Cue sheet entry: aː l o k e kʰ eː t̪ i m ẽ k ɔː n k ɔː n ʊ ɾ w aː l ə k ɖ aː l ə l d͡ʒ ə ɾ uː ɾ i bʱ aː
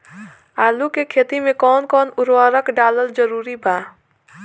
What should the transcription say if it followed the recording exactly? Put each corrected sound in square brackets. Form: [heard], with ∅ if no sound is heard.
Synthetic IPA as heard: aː l [u] k e kʰ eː t̪ i m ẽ k ɔː n k ɔː n ʊ ɾ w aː [ɾ] ə k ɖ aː l ə l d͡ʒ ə ɾ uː ɾ i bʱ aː

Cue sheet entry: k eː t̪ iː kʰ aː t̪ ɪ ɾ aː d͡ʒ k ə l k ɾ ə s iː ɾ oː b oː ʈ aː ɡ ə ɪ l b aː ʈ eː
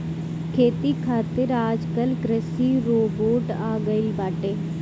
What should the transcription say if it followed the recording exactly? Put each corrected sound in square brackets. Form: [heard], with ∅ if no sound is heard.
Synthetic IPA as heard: [kʰ] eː t̪ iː kʰ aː t̪ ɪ ɾ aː d͡ʒ k ə l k ɾ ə s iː ɾ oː b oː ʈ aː ɡ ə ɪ l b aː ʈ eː

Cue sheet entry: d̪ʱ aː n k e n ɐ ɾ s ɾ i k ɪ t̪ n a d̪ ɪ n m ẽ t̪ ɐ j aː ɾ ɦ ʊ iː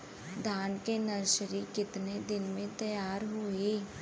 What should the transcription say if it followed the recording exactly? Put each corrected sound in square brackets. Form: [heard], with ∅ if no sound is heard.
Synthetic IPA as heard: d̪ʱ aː n k e n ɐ ɾ [ʃ] ɾ i k ɪ t̪ n [e] d̪ ɪ n m ẽ t̪ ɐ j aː ɾ ɦ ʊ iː

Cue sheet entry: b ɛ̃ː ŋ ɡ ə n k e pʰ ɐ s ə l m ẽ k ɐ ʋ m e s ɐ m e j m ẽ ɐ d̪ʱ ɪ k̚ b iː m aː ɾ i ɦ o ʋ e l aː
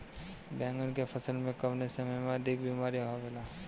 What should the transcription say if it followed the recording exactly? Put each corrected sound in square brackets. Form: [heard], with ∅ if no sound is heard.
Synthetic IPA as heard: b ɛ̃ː ŋ ɡ ə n k e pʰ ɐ s ə l m ẽ k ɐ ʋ [n] e s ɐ m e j m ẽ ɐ d̪ʱ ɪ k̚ b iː m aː ɾ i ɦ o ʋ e l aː

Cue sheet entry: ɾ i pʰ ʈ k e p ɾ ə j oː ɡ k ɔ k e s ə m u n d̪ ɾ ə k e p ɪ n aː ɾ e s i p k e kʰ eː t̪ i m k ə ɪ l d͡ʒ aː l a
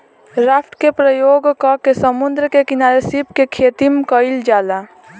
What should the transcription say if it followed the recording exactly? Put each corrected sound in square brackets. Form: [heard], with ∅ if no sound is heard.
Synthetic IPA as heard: ɾ [a] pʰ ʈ k e p ɾ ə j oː ɡ k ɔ k e s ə m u n d̪ ɾ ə k e [k] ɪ n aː ɾ e s i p k e kʰ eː t̪ i m k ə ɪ l d͡ʒ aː l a

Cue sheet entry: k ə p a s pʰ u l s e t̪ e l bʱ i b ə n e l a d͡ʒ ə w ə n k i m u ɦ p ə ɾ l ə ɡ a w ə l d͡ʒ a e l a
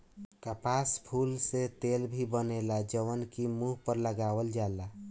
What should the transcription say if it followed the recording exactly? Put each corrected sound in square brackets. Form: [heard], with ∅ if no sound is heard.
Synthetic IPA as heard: k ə p a s pʰ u l s e t̪ e l bʱ i b ə n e l a d͡ʒ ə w ə n k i m u ɦ p ə ɾ l ə ɡ a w ə l d͡ʒ a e l a

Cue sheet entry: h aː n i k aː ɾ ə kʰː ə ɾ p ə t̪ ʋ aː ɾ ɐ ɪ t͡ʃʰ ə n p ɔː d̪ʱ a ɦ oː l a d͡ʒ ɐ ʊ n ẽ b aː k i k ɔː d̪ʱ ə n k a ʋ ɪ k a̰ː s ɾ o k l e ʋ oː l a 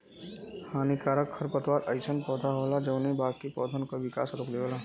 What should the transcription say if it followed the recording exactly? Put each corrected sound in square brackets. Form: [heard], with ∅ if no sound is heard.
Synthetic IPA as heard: h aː n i k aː ɾ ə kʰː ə ɾ p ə t̪ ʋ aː ɾ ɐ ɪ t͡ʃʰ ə n p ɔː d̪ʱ a ɦ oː l a d͡ʒ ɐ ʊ n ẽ b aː k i [p] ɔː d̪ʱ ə n k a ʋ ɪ k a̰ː s ɾ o k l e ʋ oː l a

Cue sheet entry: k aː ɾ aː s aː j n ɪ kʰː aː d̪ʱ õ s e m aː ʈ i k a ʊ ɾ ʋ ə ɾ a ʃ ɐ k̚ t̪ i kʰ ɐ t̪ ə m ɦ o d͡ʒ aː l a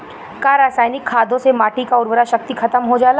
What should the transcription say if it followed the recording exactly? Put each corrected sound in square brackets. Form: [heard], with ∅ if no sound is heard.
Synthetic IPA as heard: k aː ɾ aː s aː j n ɪ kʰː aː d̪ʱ õ s e m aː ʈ i k a ʊ ɾ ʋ ə ɾ a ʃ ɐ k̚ t̪ i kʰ ɐ t̪ ə m ɦ o d͡ʒ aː l a

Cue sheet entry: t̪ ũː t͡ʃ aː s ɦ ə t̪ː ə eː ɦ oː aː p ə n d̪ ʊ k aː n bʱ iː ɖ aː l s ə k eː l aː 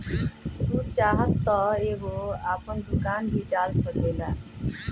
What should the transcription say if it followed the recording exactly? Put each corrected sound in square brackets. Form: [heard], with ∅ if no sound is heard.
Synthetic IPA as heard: t̪ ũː t͡ʃ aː [∅] ɦ ə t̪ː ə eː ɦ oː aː p ə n d̪ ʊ k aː n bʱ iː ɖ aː l s ə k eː l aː

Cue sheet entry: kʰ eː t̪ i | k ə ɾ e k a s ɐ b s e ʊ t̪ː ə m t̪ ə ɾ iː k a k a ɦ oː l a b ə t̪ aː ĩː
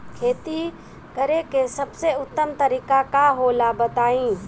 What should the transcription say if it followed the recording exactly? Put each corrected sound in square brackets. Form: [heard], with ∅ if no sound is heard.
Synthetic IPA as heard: kʰ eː t̪ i | k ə ɾ e k [e] s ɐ b s e ʊ t̪ː ə m t̪ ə ɾ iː k a k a ɦ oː l a b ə t̪ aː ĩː

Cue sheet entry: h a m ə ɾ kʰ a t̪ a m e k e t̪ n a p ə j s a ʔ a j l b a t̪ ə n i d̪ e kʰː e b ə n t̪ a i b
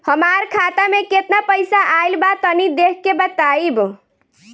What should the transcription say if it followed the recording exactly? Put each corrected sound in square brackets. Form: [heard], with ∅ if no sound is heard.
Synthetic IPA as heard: h [ə] m [a] ɾ kʰ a t̪ a m e k e t̪ n a p ə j s a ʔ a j l b a t̪ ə n i d̪ e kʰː e b ə [∅] t̪ a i b

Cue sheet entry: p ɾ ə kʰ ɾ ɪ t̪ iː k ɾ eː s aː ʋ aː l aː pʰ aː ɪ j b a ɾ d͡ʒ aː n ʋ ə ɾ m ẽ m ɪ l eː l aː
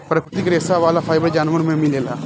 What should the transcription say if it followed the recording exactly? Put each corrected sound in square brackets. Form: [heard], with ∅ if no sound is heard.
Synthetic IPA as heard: p ɾ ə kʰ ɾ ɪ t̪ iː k ɾ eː s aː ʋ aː l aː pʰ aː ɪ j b [ə] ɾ d͡ʒ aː n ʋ ə ɾ m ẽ m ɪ l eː l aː

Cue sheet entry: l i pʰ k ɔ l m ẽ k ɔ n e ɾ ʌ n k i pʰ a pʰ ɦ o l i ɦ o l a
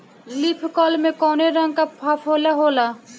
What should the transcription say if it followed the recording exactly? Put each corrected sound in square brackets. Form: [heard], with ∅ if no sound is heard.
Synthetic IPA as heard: l i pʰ k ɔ l m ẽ k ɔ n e ɾ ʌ [ŋ] k [a] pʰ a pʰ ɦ o l [a] ɦ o l a

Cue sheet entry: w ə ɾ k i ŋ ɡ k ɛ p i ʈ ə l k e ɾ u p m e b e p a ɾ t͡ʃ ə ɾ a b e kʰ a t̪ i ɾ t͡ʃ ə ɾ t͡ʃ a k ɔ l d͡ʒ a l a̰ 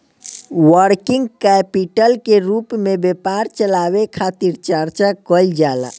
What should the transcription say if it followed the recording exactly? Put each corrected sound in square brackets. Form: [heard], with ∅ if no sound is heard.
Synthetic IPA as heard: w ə ɾ k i ŋ ɡ k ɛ p i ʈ ə l k e ɾ u p m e b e p a ɾ t͡ʃ ə [l] a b e kʰ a t̪ i ɾ t͡ʃ ə ɾ t͡ʃ a k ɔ l d͡ʒ a l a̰

